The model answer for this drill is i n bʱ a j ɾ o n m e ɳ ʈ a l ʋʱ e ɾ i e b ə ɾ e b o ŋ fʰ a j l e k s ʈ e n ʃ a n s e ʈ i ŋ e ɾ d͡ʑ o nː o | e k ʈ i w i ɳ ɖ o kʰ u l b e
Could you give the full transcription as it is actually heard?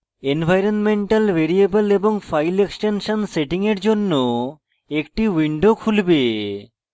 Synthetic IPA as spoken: e n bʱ a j ɾ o n m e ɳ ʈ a l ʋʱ e ɾ i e b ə l e b o ŋ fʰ a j l e k s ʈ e n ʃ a n s e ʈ i ŋ e ɾ d͡ʑ o nː o | e k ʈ i w i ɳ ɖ o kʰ u l b e